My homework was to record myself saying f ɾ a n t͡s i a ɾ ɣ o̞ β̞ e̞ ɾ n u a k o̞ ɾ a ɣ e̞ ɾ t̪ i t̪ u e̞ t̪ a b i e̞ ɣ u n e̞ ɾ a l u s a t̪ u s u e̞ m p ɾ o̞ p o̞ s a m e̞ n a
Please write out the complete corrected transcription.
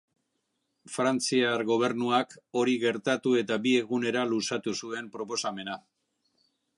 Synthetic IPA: f ɾ a n t͡s i a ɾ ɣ o̞ β̞ e̞ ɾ n u a k o̞ ɾ i ɣ e̞ ɾ t̪ a t̪ u e̞ t̪ a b i e̞ ɣ u n e̞ ɾ a l u s a t̪ u s u e̞ m p ɾ o̞ p o̞ s a m e̞ n a